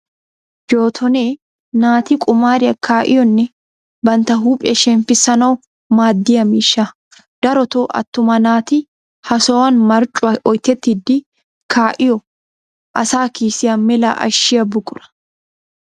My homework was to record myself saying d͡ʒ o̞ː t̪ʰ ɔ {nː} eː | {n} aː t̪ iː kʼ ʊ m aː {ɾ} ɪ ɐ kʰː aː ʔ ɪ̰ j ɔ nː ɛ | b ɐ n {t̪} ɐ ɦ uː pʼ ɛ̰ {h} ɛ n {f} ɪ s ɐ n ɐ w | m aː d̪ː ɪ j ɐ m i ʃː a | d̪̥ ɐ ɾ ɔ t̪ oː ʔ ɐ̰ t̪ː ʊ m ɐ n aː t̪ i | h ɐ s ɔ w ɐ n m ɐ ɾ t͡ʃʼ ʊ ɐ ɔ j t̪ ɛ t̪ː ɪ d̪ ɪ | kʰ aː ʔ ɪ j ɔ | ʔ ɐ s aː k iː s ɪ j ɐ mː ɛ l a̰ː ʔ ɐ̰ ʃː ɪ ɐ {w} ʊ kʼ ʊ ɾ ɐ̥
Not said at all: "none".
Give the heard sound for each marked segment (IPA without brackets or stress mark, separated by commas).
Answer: n, n, ɾ, t̪, ʃ, f, b